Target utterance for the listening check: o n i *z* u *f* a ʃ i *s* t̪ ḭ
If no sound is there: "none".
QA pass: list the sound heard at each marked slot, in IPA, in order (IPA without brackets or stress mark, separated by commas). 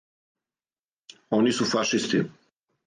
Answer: s, f, s